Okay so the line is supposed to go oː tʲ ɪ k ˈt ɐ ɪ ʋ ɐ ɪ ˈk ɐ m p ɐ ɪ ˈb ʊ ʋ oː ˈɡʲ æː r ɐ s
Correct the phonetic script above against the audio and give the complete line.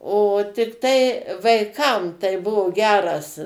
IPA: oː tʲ ɪ k ˈt ɐ ɪ ʋ ɐ ɪ ˈk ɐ m t ɐ ɪ ˈb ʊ ʋ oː ˈɡʲ æː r ɐ s